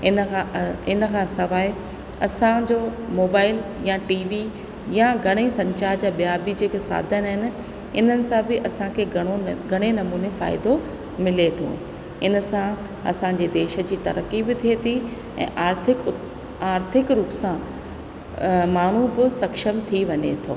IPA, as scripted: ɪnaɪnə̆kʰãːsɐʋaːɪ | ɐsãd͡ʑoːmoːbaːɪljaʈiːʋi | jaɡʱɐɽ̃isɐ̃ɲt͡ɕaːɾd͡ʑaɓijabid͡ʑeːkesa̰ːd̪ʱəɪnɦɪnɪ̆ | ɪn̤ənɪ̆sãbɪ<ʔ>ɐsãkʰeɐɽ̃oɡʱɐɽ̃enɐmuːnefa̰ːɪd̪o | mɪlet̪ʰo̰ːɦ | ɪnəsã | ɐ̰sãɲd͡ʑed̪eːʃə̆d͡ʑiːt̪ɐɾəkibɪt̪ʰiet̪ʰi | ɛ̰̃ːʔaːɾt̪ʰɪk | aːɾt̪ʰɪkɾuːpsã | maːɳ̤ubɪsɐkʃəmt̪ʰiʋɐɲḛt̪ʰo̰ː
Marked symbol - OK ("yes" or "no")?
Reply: yes